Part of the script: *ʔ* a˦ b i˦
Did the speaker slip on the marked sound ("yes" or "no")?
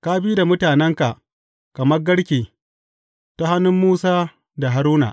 yes